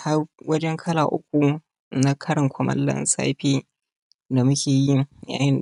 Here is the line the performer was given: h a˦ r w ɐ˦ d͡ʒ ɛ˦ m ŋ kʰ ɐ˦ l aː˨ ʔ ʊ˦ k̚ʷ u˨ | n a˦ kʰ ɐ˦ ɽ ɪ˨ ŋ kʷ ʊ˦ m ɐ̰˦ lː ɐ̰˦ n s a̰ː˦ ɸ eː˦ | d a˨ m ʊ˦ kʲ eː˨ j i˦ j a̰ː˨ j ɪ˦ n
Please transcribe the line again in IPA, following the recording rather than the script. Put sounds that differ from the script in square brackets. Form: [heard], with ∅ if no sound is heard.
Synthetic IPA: h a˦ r w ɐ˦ d͡ʒ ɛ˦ [∅] ŋ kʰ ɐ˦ l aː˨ ʔ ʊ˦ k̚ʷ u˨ | n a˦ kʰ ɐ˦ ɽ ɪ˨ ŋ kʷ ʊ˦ m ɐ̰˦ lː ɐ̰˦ n s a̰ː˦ ɸ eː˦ | d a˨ m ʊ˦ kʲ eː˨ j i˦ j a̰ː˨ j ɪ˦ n

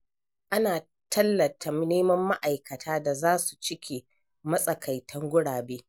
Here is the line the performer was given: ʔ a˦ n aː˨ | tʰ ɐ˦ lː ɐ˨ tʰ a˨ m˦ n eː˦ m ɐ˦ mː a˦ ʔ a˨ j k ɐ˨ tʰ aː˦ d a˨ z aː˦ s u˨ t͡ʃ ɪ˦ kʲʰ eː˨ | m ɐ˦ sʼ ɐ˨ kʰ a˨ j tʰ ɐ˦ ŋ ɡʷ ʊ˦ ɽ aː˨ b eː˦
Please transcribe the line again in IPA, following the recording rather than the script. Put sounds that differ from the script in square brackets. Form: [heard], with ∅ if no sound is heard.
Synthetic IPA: ʔ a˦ n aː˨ | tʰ ɐ˦ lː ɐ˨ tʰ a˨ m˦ n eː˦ m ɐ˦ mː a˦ ʔ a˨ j k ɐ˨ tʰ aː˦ d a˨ z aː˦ s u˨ t͡ʃ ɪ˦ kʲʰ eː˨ | m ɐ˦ sʼ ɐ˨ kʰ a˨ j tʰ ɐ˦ ŋ ɡʷ ʊ˦ ɽ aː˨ b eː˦

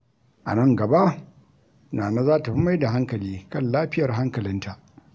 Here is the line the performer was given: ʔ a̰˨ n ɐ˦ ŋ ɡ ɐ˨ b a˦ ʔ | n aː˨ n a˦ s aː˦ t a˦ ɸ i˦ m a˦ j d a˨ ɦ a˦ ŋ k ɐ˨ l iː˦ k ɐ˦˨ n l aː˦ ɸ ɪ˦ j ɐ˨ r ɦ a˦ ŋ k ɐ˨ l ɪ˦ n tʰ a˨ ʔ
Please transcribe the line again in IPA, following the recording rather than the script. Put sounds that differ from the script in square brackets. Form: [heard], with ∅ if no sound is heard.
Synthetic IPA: ʔ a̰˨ n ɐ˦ ŋ ɡ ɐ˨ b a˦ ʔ | n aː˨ n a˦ [z] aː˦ t [a˨] ɸ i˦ m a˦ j d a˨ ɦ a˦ ŋ k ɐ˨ l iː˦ k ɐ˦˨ n l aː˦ ɸ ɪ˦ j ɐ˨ r ɦ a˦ ŋ k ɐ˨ l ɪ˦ n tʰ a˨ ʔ

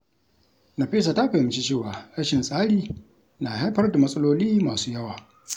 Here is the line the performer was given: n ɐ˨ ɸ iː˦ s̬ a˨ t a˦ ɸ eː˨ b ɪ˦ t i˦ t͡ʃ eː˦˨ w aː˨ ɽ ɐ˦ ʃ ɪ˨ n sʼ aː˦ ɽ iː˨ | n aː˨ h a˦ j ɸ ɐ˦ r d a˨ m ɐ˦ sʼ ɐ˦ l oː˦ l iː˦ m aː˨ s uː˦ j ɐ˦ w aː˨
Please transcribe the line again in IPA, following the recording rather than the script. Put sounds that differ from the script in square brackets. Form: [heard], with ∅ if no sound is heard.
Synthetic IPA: n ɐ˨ ɸ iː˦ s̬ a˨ t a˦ ɸ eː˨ [m] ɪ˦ [t͡ʃ] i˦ t͡ʃ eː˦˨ w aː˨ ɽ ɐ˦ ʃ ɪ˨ n sʼ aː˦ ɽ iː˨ | n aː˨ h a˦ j ɸ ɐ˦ r d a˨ m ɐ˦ sʼ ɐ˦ l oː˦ l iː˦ m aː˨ s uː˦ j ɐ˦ w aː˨

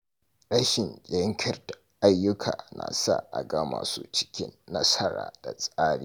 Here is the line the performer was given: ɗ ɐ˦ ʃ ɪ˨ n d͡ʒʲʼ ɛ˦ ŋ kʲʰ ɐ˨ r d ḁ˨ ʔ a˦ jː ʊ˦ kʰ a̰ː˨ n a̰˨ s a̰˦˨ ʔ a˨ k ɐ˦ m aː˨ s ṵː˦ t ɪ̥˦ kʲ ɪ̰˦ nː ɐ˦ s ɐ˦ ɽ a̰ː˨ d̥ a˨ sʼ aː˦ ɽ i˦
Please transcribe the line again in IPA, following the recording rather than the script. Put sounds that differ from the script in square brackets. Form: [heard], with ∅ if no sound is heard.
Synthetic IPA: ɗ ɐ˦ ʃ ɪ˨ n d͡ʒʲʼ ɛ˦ ŋ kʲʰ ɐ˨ r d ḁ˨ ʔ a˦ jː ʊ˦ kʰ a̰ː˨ n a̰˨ s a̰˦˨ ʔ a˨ [ɡ] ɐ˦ m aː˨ s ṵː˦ [t͡ʃ] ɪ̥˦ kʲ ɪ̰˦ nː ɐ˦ s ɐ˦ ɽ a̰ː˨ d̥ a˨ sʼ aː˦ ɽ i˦

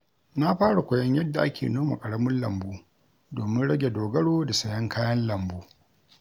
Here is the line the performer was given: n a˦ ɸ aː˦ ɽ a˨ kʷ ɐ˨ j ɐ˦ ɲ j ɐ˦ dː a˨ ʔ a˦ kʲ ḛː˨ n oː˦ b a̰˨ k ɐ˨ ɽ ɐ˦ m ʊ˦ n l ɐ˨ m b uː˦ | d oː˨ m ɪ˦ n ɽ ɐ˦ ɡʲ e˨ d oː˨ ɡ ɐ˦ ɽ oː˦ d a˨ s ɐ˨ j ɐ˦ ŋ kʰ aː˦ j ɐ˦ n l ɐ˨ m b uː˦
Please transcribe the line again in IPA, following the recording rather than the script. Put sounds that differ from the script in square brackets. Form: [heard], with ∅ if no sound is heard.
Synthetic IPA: n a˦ ɸ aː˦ ɽ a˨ kʷ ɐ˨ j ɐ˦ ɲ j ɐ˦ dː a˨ ʔ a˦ kʲ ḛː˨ n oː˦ [m] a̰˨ [kʼ] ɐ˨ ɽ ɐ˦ m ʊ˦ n l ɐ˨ m b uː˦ | d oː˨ m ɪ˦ n ɽ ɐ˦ ɡʲ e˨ d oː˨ ɡ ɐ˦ ɽ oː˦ d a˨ s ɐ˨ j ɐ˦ ŋ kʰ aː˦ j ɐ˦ n l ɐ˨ m b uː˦

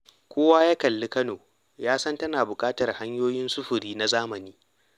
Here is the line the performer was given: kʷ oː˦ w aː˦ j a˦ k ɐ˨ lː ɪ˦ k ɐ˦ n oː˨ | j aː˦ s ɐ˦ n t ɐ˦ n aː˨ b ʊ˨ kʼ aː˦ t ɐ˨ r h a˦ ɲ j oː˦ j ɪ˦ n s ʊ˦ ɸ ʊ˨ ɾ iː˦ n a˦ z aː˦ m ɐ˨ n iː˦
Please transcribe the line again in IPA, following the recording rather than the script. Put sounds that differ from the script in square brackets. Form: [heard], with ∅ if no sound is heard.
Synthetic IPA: kʷ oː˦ w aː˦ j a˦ k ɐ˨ lː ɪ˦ k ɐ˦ n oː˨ | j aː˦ s ɐ˦ n t ɐ˦ n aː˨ b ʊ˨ kʼ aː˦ t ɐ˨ r h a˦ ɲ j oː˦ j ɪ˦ n s ʊ˦ ɸ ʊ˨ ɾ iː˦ n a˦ z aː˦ m ɐ˨ n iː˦

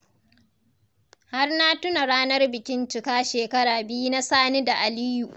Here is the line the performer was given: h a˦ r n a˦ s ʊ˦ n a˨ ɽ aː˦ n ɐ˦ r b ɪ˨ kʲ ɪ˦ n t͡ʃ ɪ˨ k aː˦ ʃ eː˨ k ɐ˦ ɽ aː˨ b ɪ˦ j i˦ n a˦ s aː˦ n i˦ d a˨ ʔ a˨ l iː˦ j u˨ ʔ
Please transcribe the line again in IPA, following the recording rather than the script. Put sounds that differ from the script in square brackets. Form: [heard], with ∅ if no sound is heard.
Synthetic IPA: h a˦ r n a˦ [t] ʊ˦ n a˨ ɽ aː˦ n ɐ˦ r b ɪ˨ kʲ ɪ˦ n t͡ʃ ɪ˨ k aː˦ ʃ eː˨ k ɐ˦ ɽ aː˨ b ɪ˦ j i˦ n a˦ s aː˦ n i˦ d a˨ ʔ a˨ l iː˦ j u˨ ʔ

